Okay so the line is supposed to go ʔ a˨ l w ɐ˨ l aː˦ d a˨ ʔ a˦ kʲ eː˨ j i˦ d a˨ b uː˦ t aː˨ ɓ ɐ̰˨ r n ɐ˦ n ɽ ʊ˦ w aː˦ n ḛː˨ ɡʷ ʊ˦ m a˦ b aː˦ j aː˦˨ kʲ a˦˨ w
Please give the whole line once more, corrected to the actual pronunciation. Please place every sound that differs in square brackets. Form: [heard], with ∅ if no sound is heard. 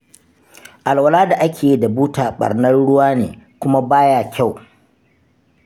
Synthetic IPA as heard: ʔ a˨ l w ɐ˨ l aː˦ d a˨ ʔ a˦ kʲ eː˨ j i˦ d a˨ b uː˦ t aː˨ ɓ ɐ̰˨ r n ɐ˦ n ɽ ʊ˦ w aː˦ n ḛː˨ [kʷ] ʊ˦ m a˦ b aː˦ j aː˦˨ kʲ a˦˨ w